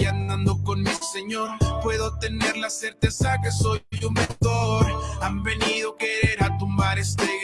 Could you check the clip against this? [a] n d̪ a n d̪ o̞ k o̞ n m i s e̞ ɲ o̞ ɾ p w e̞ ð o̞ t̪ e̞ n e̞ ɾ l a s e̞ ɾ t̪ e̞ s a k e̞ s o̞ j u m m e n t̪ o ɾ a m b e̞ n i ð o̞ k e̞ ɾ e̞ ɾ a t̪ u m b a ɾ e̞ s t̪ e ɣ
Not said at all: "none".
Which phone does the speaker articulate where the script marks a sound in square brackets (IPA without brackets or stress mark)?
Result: a